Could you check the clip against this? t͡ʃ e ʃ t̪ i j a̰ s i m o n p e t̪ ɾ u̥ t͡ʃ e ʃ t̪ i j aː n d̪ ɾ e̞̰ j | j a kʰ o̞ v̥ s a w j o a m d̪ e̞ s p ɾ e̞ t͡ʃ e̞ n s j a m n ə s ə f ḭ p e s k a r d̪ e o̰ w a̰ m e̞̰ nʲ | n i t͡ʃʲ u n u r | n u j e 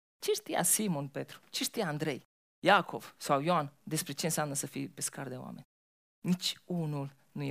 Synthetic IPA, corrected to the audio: t͡ʃ e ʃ t̪ i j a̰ s i m o n p e t̪ ɾ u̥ t͡ʃ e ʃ t̪ i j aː n d̪ ɾ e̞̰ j | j a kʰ o̞ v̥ s a w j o a n d̪ e̞ s p ɾ e̞ t͡ʃ e̞ n s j a m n ə s ə f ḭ p e s k a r d̪ e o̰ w a̰ m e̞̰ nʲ | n i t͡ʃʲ u n u l | n u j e